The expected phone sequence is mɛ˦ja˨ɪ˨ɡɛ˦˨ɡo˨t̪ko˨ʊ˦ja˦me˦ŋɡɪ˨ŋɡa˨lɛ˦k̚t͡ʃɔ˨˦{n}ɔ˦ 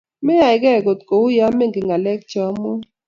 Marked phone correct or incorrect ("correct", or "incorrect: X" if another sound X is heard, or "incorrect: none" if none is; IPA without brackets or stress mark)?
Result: incorrect: m